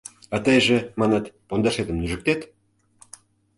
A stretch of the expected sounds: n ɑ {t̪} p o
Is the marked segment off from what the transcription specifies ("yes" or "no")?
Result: no